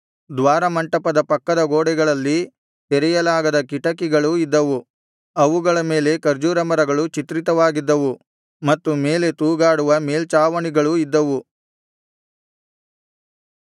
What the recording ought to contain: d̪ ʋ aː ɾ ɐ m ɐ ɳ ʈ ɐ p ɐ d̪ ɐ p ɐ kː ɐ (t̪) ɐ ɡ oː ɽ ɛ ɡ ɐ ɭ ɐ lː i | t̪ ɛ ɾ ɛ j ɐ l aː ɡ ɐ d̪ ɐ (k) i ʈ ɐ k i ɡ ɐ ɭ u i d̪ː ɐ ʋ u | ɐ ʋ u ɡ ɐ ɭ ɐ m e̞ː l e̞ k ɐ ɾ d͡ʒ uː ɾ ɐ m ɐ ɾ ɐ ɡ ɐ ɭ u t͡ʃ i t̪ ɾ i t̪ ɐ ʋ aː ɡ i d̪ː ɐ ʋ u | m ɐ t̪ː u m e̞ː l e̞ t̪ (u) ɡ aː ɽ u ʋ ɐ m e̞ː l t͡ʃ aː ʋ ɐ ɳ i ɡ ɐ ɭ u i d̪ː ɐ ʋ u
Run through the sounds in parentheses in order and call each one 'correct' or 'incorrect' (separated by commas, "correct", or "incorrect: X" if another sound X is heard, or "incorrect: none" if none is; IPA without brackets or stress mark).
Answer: incorrect: d̪, correct, incorrect: uː